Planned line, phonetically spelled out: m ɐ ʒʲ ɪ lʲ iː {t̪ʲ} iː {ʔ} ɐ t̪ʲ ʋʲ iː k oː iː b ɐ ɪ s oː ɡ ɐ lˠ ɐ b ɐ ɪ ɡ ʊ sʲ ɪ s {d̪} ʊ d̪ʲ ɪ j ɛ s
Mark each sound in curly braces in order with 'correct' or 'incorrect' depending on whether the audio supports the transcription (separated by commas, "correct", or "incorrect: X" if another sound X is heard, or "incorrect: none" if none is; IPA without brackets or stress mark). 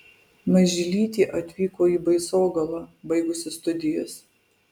correct, correct, incorrect: t̪